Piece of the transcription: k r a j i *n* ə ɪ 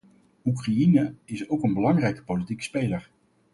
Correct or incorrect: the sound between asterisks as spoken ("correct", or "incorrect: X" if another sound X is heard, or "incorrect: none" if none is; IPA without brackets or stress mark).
correct